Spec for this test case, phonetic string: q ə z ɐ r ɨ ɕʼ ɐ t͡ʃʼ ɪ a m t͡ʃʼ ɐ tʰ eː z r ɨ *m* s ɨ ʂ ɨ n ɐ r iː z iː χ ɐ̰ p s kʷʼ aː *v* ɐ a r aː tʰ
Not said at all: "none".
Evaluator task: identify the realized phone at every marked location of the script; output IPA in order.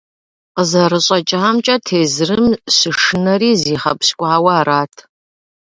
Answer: m, w

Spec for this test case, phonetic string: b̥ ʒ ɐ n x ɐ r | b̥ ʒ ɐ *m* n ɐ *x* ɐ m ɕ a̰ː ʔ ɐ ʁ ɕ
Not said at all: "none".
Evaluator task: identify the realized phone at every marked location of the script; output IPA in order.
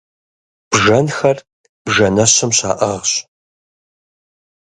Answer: none, ɕ

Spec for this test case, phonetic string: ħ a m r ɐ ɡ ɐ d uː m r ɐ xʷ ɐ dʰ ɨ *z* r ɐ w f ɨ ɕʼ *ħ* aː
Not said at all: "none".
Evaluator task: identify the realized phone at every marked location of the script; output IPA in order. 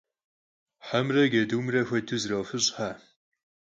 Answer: z, ħ

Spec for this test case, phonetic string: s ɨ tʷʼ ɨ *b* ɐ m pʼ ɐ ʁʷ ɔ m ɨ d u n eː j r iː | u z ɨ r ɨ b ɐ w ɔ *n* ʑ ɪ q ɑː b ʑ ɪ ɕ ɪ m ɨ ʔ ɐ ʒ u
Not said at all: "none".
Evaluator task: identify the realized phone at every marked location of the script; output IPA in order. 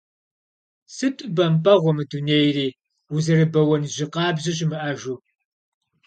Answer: b, n

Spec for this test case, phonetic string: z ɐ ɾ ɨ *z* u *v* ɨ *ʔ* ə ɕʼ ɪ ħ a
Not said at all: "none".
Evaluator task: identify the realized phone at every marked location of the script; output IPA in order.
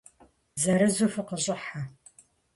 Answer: z, f, q

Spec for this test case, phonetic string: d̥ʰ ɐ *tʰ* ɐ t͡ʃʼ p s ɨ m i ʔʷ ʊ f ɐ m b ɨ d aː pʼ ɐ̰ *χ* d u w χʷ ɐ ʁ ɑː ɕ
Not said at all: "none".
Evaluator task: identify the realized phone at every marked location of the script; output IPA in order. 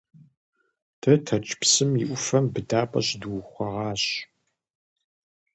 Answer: tʰ, ɕ

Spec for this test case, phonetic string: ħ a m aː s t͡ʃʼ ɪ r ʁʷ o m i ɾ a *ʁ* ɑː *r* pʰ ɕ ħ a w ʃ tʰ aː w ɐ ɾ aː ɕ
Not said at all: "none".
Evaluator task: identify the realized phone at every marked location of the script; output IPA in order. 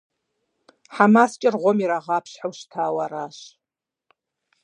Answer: ʁ, none

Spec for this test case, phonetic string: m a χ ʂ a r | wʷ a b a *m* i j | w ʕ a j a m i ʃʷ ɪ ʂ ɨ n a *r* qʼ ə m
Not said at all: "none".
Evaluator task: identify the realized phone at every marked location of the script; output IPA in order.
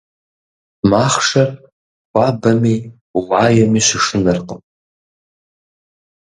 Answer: m, r

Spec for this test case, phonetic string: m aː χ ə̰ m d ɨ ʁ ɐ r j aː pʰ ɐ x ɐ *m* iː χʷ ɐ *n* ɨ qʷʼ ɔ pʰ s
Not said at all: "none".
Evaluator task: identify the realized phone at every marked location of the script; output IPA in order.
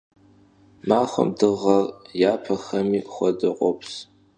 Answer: m, d

